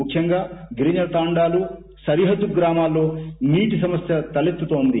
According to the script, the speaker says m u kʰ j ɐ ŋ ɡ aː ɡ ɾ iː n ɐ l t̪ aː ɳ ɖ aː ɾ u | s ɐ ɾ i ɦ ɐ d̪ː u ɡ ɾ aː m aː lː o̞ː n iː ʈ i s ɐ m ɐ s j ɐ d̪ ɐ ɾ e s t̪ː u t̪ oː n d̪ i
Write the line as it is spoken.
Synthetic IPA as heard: m u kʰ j ɐ ŋ ɡ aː ɡ ɾ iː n ɐ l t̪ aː ɳ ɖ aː l u | s ɐ ɾ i ɦ ɐ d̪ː u ɡ ɾ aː m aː lː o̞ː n iː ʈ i s ɐ m ɐ s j ɐ t̪ ɐ l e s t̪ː u t̪ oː n d̪ i